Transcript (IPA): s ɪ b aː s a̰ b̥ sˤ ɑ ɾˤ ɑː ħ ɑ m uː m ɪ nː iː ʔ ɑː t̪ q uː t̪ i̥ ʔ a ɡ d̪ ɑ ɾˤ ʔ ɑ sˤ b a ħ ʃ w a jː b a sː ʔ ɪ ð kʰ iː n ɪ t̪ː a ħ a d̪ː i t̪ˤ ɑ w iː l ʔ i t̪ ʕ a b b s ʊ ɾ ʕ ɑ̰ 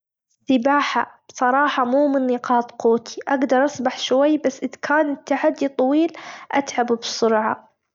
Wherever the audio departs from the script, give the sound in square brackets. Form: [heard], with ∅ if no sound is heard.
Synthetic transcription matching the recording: s ɪ b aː [ħ] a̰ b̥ sˤ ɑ ɾˤ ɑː ħ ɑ m uː m ɪ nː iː [q] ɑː t̪ q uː t̪ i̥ ʔ a ɡ d̪ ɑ ɾˤ ʔ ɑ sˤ b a ħ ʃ w a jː b a sː ʔ ɪ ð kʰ [aː] n ɪ t̪ː a ħ a d̪ː i t̪ˤ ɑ w iː l ʔ [a] t̪ ʕ a b b s ʊ ɾ ʕ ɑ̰